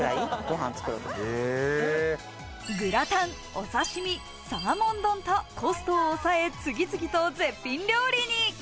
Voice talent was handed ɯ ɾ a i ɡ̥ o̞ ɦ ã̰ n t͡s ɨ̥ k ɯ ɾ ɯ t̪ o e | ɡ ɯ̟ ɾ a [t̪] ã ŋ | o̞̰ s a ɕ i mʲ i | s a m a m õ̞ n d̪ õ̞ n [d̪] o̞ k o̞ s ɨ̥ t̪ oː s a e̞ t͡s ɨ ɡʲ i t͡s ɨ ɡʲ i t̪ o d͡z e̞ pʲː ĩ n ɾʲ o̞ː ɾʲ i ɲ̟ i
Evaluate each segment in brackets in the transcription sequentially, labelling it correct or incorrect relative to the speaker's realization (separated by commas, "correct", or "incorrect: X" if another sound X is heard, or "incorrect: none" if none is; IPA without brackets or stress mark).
correct, incorrect: t̪